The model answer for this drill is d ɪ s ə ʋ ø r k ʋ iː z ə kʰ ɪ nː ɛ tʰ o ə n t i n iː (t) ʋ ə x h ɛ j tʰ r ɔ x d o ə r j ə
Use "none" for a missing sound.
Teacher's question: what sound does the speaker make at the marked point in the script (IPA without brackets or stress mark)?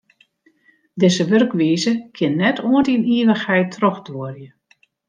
none